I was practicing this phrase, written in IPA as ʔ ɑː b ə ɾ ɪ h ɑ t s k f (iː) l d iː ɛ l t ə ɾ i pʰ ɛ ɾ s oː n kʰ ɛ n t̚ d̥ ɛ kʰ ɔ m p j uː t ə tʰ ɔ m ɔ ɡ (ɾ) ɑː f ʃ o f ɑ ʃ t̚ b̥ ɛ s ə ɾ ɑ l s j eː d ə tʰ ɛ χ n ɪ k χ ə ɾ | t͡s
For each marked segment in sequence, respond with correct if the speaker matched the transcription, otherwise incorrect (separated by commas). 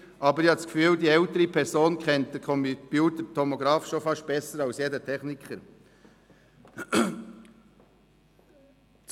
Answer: incorrect, correct